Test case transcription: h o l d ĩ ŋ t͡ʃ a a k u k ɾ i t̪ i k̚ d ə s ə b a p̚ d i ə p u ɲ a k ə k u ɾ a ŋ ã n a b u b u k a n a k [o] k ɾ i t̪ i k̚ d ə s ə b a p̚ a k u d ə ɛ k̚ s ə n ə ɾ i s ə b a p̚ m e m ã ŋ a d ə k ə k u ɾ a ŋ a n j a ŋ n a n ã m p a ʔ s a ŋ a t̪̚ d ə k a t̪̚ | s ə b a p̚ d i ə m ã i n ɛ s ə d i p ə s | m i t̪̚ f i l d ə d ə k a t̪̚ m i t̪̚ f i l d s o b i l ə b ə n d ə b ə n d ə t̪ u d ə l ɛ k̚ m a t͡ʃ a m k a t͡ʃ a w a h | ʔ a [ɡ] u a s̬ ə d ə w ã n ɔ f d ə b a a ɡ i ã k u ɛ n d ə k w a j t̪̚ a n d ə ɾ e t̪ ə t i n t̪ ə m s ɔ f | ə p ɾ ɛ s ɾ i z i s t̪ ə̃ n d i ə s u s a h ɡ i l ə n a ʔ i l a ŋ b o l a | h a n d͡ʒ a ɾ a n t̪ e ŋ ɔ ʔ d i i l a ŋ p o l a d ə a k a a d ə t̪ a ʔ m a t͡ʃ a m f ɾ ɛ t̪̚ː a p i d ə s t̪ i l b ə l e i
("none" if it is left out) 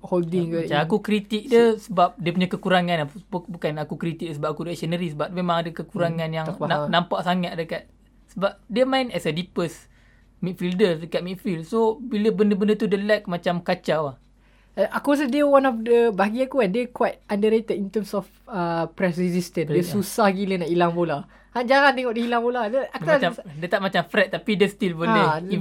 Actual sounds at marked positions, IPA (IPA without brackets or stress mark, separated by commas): u, k